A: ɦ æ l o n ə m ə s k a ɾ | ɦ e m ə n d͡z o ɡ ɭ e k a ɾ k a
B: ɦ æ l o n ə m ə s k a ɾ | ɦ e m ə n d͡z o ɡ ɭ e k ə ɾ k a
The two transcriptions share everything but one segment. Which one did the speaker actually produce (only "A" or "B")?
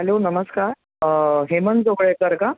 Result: B